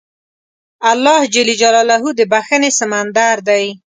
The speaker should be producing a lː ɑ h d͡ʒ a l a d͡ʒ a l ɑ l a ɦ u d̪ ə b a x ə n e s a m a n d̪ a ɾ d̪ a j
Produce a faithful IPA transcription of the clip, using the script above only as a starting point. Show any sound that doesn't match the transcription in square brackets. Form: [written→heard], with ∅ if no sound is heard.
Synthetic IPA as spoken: a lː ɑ h d͡ʒ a l [a→i] d͡ʒ a l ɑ l a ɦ u d̪ ə b a x ə n e s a m a n d̪ a ɾ d̪ a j